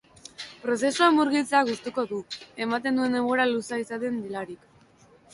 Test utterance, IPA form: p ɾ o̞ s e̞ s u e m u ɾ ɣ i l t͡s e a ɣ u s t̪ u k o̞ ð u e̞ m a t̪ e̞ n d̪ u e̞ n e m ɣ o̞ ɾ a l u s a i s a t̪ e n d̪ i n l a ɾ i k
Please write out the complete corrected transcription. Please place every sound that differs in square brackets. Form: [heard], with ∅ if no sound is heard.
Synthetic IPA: p ɾ o̞ s e̞ s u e m u ɾ ɣ i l t͡s e a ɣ u s t̪ u k o̞ ð u e̞ m a t̪ e̞ n d̪ u e̞ n e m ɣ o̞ ɾ a l u s a i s a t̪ e n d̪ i [∅] l a ɾ i k